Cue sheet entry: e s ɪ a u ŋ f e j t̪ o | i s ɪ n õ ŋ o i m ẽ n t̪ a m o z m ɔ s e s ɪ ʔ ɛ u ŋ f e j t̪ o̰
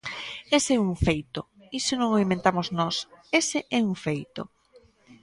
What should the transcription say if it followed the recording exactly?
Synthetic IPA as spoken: e s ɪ ɛ u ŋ f e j t̪ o | i s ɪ n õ ŋ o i m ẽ n t̪ a m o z n ɔ s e s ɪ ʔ ɛ u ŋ f e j t̪ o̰